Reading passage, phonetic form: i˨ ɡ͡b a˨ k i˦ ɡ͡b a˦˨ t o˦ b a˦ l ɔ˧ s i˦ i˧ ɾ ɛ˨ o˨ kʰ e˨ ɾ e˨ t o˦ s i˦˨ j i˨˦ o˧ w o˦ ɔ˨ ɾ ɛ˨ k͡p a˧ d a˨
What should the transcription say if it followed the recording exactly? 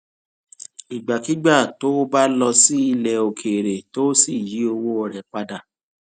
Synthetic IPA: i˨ ɡ͡b a˨ k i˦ ɡ͡b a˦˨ t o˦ b a˦ l ɔ˧ s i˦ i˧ l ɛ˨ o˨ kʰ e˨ ɾ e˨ t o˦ s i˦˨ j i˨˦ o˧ w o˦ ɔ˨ ɾ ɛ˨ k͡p a˧ d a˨